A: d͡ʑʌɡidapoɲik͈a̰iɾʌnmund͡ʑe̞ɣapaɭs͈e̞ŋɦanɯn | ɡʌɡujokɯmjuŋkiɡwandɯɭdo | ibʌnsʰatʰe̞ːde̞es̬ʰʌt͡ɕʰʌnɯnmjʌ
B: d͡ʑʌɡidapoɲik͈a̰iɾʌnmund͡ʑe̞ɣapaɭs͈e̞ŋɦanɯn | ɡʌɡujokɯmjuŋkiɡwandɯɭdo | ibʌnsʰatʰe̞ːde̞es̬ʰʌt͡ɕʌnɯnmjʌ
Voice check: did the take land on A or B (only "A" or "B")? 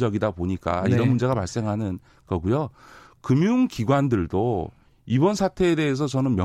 B